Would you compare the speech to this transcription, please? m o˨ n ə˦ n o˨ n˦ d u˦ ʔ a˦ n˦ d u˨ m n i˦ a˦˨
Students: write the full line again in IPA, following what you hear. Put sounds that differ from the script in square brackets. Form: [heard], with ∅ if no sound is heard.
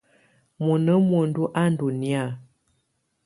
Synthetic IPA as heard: m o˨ n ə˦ [m] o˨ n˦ d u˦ ʔ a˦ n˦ d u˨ [∅] n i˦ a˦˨